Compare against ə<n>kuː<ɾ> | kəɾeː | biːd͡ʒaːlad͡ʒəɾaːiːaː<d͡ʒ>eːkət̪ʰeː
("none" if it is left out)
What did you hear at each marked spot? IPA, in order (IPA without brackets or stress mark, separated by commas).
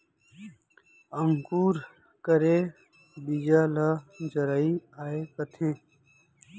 ŋ, ɾ, none